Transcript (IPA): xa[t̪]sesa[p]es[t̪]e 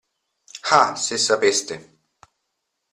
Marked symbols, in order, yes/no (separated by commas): no, yes, yes